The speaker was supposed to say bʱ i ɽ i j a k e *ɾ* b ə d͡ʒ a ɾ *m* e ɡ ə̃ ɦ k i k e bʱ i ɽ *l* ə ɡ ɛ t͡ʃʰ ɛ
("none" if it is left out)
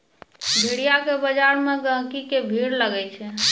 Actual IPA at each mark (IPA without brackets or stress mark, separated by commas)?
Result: none, m, l